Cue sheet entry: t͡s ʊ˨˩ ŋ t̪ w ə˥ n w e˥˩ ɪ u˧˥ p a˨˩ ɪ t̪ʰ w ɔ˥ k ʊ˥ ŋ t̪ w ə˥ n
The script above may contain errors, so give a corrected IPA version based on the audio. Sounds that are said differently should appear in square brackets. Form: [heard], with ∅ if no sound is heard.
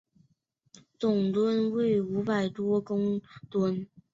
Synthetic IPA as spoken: t͡s ʊ˨˩ ŋ t̪ w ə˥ n w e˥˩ ɪ u˧˥ p a˨˩ ɪ [t̪] w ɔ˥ k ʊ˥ ŋ t̪ w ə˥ n

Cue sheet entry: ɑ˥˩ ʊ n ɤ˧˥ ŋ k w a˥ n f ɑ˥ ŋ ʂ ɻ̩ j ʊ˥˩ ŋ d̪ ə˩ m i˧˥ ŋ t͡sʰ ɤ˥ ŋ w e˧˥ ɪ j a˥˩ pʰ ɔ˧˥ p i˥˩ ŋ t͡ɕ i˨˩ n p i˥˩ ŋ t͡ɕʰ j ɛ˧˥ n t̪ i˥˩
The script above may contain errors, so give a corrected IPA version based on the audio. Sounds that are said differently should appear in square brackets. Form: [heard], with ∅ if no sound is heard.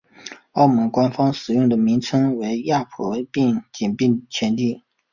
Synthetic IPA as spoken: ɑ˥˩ ʊ [m] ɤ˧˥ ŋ k w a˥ n f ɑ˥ ŋ ʂ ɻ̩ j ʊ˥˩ ŋ d̪ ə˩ m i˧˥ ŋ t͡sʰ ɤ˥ ŋ w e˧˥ ɪ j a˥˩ pʰ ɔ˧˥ p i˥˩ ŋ t͡ɕ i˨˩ n p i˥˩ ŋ t͡ɕʰ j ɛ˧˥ n t̪ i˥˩

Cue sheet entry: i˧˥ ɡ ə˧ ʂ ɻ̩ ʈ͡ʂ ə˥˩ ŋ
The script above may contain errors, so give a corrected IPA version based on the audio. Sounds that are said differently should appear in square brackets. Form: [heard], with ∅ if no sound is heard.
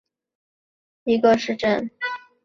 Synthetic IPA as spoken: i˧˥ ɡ ə˧ ʂ ɻ̩ ʈ͡ʂ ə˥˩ [n]

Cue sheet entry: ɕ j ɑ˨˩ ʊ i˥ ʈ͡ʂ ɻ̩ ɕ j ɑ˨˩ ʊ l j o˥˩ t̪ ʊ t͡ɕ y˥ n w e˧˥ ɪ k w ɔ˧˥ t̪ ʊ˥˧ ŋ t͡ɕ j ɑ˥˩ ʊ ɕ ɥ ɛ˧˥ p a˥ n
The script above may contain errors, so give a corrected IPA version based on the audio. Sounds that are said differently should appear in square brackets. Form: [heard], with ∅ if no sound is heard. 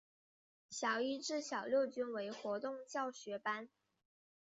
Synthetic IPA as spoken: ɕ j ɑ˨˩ ʊ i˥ ʈ͡ʂ ɻ̩ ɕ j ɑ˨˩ ʊ l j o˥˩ [∅] ʊ t͡ɕ y˥ n w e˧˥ ɪ [x] w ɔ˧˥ t̪ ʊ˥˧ ŋ t͡ɕ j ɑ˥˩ ʊ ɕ ɥ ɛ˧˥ p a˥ n

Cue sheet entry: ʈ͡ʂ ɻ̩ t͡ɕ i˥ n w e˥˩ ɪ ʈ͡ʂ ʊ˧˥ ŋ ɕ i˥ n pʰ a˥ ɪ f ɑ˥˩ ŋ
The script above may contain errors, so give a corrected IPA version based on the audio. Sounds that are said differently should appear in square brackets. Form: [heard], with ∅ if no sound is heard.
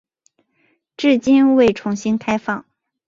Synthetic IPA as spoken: ʈ͡ʂ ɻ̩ t͡ɕ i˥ n w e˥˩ ɪ [ʈ͡ʂʰ] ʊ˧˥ ŋ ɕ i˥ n [kʰ] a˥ ɪ f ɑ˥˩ ŋ

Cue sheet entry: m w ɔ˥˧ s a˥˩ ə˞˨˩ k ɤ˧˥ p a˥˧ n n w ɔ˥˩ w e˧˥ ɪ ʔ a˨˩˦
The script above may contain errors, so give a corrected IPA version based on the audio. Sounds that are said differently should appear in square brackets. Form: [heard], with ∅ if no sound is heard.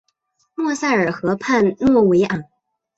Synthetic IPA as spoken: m w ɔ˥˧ s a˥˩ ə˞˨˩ [x] ɤ˧˥ [pʰ] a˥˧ n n w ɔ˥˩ w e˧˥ ɪ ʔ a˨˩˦

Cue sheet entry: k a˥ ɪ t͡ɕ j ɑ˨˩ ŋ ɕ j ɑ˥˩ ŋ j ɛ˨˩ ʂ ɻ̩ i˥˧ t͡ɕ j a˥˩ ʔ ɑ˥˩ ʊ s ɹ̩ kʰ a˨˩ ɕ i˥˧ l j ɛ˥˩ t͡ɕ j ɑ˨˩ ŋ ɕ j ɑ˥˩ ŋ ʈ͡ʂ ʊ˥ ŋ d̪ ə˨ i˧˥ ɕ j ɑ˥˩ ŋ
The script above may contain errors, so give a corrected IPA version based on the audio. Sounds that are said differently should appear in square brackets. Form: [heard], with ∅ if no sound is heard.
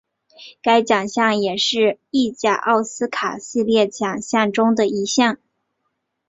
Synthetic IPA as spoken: k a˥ ɪ t͡ɕ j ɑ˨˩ ŋ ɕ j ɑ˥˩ ŋ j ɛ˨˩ ʂ ɻ̩ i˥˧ t͡ɕ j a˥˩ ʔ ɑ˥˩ ʊ s ɹ̩ kʰ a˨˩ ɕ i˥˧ l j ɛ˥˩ t͡ɕ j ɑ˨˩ ŋ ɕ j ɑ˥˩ ŋ ʈ͡ʂ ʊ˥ ŋ d̪ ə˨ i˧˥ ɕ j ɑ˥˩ ŋ

